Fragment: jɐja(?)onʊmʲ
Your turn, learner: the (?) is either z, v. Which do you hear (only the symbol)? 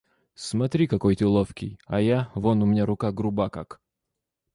v